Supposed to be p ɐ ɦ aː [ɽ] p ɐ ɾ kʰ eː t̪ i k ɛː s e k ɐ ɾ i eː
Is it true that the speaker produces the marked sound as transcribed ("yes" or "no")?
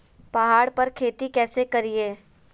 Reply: yes